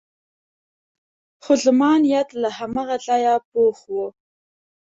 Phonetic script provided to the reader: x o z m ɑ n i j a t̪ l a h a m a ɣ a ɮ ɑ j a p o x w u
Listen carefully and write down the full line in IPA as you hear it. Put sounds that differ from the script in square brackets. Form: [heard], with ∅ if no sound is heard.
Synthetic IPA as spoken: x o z m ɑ n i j a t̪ l a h a m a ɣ a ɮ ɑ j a p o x w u